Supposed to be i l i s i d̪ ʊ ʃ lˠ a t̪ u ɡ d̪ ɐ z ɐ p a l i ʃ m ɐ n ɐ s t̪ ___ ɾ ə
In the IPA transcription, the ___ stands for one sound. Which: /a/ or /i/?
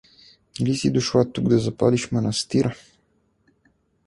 i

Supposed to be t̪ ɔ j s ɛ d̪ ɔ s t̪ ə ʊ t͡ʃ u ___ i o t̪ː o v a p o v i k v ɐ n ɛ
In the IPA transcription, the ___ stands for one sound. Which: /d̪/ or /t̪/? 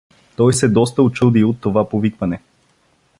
d̪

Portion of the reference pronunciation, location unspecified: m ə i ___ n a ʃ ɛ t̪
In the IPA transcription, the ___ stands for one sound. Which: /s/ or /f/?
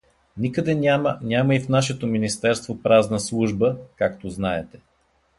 f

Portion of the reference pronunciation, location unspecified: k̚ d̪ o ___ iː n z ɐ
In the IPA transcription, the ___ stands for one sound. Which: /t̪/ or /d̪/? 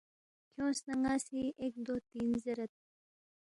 t̪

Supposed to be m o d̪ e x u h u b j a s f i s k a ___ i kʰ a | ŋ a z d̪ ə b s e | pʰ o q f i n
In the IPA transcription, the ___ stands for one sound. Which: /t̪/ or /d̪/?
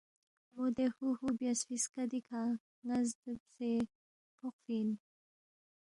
d̪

